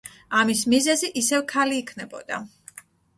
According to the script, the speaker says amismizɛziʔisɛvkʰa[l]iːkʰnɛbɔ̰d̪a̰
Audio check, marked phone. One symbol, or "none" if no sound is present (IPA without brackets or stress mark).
l